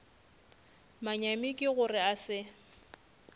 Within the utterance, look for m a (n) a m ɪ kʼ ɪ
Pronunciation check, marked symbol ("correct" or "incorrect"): incorrect